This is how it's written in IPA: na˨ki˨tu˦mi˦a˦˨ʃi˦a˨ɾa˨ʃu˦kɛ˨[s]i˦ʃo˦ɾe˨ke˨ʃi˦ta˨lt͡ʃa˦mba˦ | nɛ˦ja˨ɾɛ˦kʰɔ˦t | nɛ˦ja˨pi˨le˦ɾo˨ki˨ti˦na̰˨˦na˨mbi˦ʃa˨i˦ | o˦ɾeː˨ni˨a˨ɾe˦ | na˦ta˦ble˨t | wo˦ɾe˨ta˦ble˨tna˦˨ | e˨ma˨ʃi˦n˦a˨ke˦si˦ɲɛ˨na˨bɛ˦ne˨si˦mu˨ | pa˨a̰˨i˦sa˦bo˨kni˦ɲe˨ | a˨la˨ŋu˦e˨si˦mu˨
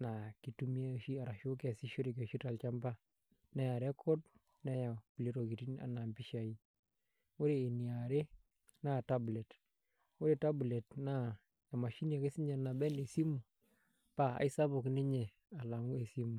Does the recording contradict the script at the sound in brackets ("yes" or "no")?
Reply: no